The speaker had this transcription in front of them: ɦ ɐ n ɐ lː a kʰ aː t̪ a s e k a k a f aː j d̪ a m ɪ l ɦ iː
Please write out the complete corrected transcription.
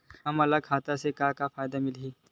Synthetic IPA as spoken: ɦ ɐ m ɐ l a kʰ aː t̪ a s e k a k a f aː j d̪ a m ɪ l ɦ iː

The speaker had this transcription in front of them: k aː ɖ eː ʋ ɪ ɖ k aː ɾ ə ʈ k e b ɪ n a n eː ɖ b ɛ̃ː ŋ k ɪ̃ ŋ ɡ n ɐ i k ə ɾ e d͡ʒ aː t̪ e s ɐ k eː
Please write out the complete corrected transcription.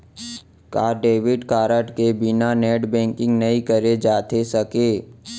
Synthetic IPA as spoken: k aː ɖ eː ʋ ɪ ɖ k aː ɾ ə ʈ k e b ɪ n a n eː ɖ b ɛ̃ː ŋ k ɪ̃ ŋ ɡ n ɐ i k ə ɾ e d͡ʒ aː t̪ e s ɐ k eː

